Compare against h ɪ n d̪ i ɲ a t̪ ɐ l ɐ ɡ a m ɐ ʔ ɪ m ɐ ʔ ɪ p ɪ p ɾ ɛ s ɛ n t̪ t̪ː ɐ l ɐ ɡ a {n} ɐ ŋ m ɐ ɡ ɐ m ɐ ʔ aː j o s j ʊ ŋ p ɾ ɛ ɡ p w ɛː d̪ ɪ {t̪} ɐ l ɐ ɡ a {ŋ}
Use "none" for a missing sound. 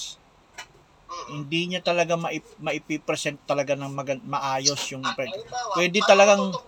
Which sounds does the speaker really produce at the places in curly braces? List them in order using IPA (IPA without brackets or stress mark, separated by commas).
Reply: n, t̪, ŋ